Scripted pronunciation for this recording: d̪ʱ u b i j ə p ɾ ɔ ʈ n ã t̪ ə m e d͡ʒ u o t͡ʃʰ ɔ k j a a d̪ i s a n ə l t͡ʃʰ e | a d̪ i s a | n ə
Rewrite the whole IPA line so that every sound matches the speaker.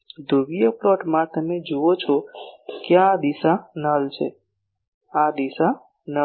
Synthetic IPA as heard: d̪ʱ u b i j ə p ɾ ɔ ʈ m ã t̪ ə m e d͡ʒ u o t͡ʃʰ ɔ k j a a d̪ i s a n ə l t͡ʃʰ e | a d̪ i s a | n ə

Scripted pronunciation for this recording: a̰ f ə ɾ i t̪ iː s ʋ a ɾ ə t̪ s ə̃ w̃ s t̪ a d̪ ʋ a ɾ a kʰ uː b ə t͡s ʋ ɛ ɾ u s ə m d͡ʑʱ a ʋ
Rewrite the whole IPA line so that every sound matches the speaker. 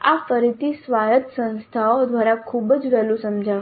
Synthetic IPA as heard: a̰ f ə ɾ i t̪ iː s ʋ a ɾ ə t̪ s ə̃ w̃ s t̪ʰ a d̪ ʋ a ɾ a kʰ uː b ə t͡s ʋ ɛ l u s ə m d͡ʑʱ a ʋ

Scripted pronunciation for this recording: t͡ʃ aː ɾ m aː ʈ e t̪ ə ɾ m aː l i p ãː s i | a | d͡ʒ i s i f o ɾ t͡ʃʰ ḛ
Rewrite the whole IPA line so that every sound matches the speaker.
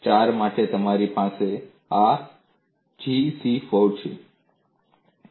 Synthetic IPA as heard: t͡ʃ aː ɾ m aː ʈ e t̪ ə m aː ɾ i p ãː s e | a | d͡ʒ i s i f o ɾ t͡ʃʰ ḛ

